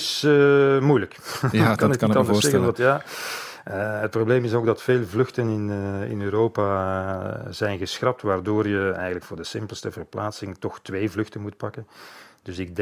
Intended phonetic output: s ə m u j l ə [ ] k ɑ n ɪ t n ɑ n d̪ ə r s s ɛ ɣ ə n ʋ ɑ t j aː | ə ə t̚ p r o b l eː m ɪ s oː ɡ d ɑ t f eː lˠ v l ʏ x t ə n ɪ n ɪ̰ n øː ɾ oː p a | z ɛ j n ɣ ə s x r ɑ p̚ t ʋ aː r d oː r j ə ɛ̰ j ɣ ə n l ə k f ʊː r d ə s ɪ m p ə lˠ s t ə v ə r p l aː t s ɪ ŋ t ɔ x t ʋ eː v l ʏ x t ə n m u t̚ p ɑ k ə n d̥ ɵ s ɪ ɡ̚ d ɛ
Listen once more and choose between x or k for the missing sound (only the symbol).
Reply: k